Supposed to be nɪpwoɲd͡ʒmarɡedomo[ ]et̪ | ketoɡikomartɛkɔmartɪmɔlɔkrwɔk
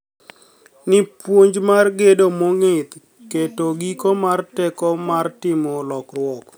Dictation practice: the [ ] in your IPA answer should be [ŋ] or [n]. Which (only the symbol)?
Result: ŋ